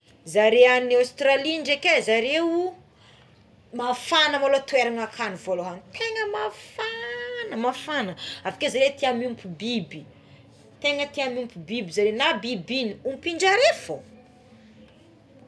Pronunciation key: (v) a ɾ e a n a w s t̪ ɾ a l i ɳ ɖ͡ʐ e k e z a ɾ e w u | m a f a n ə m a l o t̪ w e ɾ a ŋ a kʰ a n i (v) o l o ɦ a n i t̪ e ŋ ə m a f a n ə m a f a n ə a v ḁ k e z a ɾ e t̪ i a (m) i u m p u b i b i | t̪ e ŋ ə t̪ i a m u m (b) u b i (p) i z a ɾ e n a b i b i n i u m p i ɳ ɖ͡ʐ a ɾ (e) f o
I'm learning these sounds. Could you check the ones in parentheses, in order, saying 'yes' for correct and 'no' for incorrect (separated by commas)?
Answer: no, yes, yes, no, no, yes